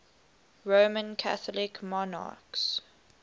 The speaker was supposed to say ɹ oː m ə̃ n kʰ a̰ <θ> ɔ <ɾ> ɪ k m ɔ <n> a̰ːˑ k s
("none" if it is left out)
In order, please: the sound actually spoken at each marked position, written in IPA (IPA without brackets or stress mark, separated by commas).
θ, l, n